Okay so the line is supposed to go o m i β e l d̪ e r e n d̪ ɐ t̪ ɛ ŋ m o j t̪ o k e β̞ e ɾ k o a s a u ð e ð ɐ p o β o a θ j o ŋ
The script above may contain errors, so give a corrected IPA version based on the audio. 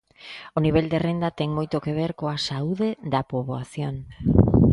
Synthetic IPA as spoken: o n i β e l d̪ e r e n d̪ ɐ t̪ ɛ ŋ m o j t̪ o k e β̞ e ɾ k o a s a u ð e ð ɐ p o β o a θ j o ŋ